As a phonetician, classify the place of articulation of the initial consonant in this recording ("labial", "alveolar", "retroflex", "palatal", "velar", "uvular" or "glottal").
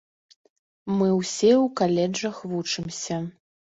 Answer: labial